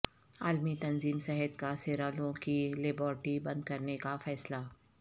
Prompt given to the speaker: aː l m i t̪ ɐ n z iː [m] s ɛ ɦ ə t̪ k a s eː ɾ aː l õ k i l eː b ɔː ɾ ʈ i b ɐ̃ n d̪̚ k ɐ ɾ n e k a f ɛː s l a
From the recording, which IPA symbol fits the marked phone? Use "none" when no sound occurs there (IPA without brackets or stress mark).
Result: m